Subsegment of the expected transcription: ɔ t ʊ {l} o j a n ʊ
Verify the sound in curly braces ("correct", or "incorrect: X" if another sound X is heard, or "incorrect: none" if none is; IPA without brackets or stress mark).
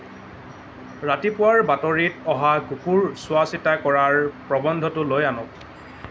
correct